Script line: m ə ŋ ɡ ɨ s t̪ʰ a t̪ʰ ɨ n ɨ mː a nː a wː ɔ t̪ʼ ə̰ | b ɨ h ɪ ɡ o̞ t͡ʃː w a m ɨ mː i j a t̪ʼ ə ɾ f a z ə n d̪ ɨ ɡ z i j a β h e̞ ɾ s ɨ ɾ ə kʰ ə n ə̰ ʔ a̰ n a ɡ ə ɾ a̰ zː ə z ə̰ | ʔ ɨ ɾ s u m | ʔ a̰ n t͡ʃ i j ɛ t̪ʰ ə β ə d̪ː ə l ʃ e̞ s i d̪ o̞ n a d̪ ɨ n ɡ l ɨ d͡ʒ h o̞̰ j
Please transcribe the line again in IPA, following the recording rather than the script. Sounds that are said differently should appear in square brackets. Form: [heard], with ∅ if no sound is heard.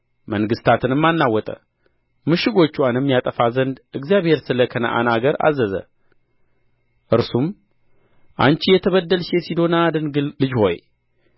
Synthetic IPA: m ə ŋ ɡ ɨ s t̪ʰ a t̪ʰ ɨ n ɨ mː a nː a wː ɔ t̪ʼ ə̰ | [m] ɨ [ʃ] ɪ ɡ o̞ t͡ʃː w a [n] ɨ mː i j a t̪ʼ ə [∅] f a z ə n d̪ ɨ ɡ z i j a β h e̞ ɾ s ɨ [l] ə kʰ ə n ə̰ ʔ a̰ n a ɡ ə ɾ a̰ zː ə z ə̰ | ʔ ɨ ɾ s u m | ʔ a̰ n t͡ʃ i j ɛ t̪ʰ ə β ə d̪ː ə l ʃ e̞ s i d̪ o̞ n a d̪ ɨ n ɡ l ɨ d͡ʒ h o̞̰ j